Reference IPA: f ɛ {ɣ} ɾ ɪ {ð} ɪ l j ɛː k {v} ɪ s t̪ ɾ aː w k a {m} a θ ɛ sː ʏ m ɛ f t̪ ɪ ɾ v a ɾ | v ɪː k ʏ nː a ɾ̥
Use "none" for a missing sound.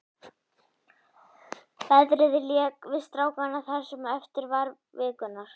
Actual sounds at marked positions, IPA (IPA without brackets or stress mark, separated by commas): ð, ð, v, n